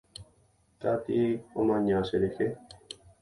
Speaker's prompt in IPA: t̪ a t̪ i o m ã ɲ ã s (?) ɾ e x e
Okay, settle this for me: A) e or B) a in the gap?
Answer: A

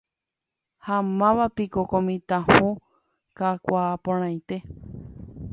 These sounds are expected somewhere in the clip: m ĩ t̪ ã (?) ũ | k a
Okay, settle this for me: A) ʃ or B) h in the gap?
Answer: B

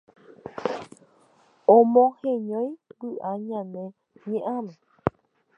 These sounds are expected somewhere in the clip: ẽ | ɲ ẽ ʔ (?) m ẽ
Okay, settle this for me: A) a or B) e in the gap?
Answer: A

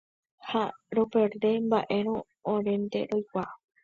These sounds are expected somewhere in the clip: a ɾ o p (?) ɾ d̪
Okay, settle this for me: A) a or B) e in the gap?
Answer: B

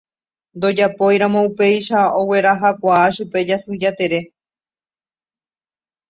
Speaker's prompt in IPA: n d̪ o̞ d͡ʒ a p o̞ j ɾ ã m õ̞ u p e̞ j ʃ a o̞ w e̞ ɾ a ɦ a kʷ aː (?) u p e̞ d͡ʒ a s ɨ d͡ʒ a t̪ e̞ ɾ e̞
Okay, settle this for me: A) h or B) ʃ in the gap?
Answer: B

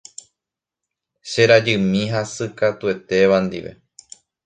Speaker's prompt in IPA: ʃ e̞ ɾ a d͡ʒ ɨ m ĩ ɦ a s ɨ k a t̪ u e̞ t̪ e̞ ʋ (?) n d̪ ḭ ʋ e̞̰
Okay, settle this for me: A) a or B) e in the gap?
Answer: A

